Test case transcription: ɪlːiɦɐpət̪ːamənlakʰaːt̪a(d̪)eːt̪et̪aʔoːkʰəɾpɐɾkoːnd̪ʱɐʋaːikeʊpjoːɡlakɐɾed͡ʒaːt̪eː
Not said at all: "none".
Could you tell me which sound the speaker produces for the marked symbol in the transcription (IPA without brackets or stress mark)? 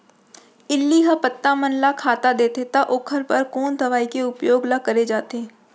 d̪